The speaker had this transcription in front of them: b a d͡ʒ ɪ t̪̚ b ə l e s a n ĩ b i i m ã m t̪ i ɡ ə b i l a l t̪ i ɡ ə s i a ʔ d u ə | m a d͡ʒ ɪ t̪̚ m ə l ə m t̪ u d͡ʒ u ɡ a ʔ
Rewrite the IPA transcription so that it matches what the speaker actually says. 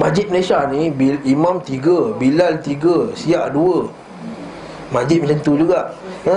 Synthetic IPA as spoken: m a d͡ʒ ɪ t̪̚ m ə l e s a n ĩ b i i m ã m t̪ i ɡ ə b i l a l t̪ i ɡ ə s i a ʔ d u ə | m a d͡ʒ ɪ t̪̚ m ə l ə n t̪ u d͡ʒ u ɡ a ʔ